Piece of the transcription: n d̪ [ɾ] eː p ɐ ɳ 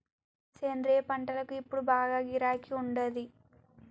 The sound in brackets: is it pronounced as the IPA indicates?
yes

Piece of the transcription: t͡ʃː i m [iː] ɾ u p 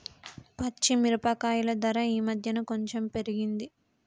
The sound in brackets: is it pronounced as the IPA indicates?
no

